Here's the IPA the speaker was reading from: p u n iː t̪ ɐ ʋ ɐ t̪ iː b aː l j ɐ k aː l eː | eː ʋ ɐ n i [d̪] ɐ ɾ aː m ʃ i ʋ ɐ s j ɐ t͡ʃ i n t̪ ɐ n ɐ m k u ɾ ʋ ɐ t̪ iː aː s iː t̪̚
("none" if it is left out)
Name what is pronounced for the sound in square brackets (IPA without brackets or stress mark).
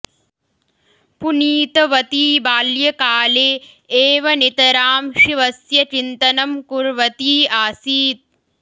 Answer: t̪